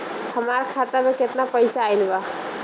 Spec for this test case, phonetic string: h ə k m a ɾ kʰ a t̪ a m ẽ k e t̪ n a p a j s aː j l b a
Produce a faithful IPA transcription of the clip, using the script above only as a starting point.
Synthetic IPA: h ə m a ɾ kʰ a t̪ a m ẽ k e t̪ n a p ə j s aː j l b a

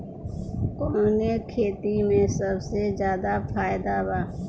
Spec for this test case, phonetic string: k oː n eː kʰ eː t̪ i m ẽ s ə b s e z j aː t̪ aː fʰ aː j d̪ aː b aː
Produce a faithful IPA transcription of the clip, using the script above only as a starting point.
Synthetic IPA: k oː n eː kʰ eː t̪ i m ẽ s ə b s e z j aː d̪ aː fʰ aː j d̪ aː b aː

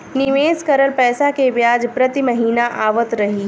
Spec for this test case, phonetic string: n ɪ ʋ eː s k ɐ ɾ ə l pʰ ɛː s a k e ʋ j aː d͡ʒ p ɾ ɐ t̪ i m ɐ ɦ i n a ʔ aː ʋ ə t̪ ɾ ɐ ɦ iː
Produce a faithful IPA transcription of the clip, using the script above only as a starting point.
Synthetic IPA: n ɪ ʋ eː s k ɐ ɾ ə l p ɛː s a k e ʋ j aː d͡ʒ p ɾ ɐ t̪ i m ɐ ɦ iː n a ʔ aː ʋ ə t̪ ɾ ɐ ɦ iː

